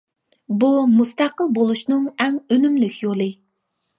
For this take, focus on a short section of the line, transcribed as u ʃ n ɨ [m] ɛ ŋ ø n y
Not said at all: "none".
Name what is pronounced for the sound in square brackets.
ŋ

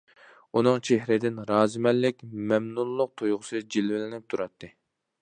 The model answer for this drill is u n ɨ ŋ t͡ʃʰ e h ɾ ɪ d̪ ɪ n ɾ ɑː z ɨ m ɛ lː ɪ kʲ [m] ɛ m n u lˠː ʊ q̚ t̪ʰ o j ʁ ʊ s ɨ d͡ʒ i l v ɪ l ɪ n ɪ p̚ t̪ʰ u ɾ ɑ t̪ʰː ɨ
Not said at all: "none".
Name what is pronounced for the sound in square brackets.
m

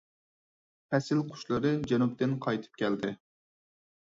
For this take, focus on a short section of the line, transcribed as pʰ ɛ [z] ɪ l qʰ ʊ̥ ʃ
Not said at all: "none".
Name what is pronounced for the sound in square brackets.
s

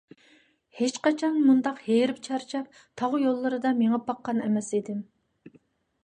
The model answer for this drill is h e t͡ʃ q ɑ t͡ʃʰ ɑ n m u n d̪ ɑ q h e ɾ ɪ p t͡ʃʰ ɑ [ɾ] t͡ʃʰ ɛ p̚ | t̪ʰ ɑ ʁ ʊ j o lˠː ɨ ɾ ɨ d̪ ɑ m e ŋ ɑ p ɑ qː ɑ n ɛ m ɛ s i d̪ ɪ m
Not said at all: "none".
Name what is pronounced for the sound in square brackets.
ɾ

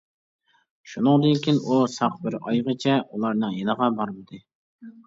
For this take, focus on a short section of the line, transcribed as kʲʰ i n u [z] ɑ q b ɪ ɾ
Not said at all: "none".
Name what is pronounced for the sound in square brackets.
s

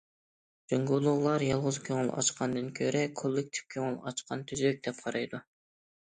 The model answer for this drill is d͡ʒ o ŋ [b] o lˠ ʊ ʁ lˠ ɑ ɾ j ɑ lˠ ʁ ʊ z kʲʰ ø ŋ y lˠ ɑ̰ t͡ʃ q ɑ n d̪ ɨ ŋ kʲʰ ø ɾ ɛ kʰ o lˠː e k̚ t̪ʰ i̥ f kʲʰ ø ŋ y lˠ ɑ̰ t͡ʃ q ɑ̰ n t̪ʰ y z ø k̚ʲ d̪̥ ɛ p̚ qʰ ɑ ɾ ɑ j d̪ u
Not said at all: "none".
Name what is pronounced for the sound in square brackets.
ɡ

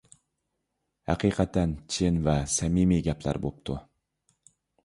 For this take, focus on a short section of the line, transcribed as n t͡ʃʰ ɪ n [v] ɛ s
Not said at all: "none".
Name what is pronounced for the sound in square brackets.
v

